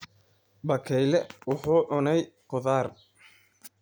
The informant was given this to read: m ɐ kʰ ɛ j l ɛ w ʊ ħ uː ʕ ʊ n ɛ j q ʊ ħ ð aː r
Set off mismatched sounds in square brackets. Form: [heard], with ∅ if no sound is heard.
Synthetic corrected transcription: [b] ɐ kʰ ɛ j l ɛ w ʊ ħ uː ʕ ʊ n ɛ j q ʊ [∅] ð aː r